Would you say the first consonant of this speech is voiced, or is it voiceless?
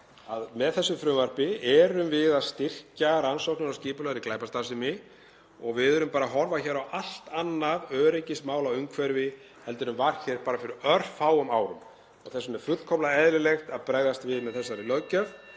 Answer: voiced